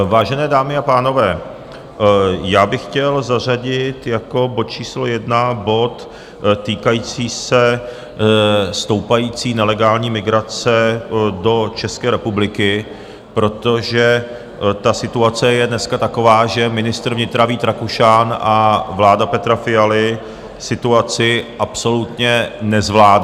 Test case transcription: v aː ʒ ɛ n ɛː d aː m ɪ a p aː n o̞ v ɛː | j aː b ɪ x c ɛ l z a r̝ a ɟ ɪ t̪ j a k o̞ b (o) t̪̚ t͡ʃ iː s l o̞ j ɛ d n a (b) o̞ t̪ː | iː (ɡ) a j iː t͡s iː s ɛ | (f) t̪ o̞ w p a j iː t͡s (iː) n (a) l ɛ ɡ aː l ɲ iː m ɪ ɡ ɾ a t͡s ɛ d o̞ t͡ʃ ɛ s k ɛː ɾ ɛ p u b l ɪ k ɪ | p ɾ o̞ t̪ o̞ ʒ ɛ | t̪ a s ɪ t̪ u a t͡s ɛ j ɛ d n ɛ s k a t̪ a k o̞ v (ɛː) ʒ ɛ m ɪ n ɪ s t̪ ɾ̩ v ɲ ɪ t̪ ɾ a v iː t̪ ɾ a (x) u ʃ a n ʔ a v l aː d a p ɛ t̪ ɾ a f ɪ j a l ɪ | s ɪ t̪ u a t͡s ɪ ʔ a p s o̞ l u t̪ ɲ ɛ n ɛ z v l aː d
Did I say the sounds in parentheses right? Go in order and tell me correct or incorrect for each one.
correct, correct, incorrect: k, incorrect: s, correct, incorrect: ɛ, incorrect: aː, incorrect: k

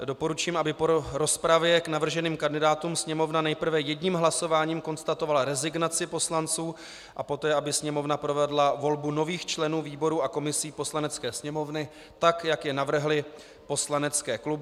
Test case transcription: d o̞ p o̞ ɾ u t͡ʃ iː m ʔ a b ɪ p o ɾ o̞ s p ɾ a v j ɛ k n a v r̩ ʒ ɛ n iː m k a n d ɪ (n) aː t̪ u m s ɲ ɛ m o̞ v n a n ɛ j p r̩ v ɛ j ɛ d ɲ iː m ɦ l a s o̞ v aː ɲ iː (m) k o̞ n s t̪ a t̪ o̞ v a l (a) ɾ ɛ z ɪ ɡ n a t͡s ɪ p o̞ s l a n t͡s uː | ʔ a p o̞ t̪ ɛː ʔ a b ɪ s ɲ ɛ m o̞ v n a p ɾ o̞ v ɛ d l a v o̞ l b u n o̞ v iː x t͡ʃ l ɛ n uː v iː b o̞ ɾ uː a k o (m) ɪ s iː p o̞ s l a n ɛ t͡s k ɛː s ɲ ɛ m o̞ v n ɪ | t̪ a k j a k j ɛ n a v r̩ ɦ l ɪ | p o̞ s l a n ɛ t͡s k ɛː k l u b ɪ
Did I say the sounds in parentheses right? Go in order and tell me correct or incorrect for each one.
incorrect: d, correct, correct, correct

